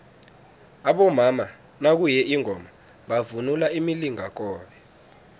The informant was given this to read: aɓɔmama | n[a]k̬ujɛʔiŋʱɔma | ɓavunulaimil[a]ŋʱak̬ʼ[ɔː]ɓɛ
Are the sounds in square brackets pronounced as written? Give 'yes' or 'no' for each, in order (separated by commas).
yes, no, yes